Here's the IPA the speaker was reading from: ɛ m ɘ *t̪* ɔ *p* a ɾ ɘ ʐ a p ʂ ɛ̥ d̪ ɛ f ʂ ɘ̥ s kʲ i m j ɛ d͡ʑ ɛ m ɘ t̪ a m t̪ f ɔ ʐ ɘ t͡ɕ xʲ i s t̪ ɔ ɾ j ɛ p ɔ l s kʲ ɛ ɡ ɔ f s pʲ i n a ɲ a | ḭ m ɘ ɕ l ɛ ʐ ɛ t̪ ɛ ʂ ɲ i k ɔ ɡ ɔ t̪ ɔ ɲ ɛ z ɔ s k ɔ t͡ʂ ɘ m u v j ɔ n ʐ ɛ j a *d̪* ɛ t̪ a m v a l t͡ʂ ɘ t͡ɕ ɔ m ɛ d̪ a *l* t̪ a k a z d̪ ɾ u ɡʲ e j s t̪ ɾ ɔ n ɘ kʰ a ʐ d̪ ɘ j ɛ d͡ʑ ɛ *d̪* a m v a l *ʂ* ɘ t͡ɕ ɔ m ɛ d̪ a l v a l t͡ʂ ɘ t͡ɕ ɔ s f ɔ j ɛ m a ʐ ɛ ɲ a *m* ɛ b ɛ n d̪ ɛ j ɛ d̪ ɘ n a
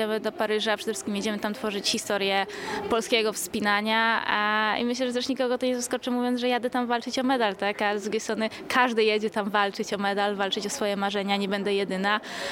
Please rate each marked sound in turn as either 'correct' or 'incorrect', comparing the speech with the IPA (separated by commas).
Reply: incorrect, correct, correct, correct, incorrect, incorrect, incorrect